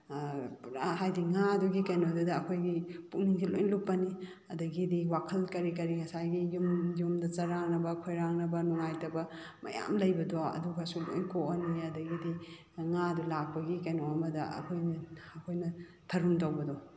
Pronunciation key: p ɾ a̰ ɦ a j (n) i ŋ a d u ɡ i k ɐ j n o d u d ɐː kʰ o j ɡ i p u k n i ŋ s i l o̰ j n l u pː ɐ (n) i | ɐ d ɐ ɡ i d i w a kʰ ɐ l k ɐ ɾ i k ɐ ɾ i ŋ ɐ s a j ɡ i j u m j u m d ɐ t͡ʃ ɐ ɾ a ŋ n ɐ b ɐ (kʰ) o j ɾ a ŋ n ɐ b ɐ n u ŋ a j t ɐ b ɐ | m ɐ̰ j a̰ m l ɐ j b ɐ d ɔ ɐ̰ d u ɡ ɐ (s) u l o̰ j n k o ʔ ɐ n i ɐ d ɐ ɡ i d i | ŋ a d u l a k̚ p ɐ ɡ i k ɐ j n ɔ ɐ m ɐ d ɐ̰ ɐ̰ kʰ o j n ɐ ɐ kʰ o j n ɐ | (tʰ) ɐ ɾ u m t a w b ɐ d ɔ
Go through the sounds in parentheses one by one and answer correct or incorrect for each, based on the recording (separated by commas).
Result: incorrect, correct, correct, correct, correct